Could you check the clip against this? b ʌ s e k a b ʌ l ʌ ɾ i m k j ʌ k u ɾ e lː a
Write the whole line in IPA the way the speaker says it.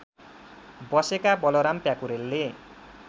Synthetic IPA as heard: b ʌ s e k a b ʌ l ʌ ɾ a m p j a k u ɾ e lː e